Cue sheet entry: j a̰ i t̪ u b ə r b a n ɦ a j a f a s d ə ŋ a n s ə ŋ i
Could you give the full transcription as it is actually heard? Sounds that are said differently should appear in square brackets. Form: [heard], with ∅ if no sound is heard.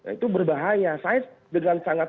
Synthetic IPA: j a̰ i t̪ u b ə r b a [∅] ɦ a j a [s] a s d ə ŋ a n s [a] ŋ [a]